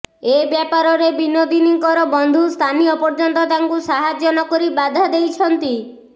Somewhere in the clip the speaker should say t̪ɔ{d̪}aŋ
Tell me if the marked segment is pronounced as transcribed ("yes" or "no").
no